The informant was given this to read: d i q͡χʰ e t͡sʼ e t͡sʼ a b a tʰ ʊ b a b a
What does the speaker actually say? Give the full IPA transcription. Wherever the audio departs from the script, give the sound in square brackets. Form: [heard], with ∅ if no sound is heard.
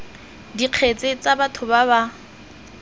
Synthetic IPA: d i q͡χʰ e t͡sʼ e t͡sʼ a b a tʰ ʊ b a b a